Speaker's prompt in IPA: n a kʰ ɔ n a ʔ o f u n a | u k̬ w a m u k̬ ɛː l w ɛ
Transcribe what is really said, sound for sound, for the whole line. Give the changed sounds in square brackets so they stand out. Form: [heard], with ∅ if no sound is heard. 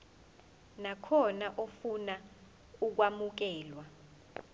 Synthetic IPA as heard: n a kʰ ɔ n a ʔ o f u n a | u k̬ w a m u k̬ ɛː l w [a]